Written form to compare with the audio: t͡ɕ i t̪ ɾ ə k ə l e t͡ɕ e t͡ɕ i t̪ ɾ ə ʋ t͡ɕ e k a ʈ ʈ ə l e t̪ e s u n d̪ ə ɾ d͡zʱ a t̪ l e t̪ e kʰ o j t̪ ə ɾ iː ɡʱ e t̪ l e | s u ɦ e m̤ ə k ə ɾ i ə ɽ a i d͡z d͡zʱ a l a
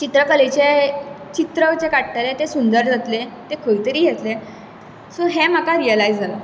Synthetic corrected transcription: t͡ɕ i t̪ ɾ ə k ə l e t͡ɕ e t͡ɕ i t̪ ɾ ə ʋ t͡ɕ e k a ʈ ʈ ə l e t̪ e s u n d̪ ə ɾ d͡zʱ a t̪ l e t̪ e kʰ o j t̪ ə ɾ iː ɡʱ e t̪ l e | s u ɦ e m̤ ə k a ɾ i ə l a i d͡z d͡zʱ a l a